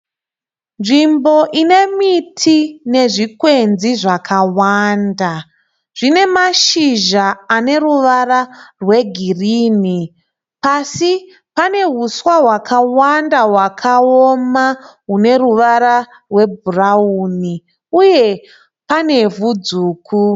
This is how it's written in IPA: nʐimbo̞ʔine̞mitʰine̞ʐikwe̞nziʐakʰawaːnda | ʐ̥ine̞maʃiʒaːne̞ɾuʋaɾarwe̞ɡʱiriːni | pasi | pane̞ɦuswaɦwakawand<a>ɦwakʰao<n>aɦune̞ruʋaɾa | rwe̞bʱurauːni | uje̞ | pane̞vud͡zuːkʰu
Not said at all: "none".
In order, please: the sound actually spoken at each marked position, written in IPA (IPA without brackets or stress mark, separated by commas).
a, m